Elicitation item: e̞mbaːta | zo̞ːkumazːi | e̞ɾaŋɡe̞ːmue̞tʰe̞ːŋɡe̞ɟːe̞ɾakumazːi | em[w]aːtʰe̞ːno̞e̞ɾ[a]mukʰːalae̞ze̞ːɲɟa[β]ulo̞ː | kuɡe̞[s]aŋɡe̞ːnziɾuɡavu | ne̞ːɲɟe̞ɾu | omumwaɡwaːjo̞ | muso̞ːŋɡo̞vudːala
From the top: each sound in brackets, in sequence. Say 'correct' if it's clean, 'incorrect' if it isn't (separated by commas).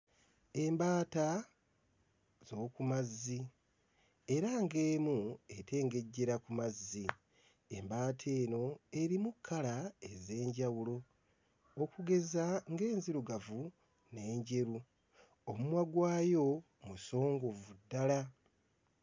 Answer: incorrect, incorrect, incorrect, incorrect